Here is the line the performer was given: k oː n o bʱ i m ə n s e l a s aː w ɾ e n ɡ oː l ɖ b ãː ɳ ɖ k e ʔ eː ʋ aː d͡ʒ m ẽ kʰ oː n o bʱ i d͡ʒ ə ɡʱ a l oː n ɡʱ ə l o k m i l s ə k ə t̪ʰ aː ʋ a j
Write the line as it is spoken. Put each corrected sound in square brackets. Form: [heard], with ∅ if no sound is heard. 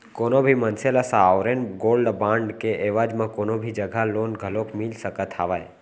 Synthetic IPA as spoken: k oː n o bʱ i m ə n s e l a s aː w ɾ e n ɡ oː l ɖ b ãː ɳ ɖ k e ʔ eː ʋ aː d͡ʒ m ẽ [k] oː n o bʱ i d͡ʒ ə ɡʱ a l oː n ɡʱ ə l o k m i l s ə k ə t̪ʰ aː ʋ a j